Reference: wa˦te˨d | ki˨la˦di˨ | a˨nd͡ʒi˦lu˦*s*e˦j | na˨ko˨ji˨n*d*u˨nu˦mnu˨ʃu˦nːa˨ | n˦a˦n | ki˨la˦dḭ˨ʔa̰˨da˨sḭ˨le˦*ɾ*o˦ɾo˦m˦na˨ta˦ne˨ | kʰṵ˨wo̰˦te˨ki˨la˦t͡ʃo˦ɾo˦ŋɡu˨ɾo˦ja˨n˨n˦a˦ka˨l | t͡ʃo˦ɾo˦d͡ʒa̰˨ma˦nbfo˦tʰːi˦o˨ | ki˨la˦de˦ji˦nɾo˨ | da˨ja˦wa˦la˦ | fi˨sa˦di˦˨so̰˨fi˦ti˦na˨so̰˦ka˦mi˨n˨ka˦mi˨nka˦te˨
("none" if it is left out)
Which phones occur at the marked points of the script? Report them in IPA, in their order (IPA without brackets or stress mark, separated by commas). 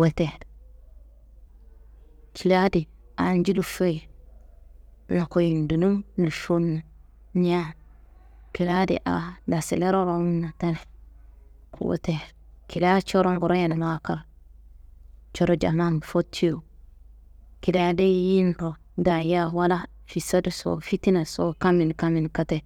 f, d, ɾ